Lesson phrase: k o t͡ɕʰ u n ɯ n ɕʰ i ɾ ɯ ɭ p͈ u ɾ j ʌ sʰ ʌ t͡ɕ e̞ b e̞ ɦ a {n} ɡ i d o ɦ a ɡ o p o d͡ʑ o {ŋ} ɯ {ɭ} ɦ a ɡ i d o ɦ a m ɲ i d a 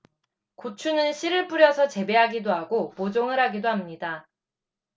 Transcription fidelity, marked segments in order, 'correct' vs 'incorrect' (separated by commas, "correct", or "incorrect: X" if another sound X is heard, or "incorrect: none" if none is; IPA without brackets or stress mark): incorrect: none, correct, incorrect: ɾ